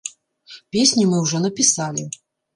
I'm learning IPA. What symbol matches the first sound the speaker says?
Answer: pʲ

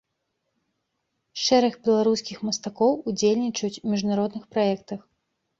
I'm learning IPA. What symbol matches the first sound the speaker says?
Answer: ʂ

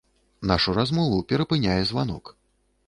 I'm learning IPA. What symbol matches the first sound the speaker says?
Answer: n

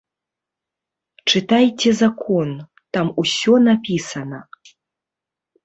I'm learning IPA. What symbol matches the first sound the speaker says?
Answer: t͡ʂ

